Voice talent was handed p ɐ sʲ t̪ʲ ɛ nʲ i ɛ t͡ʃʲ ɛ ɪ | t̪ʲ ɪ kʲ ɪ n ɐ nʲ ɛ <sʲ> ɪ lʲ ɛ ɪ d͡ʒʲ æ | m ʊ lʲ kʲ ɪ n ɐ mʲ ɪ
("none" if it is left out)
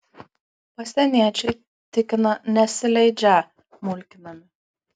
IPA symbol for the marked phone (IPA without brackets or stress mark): sʲ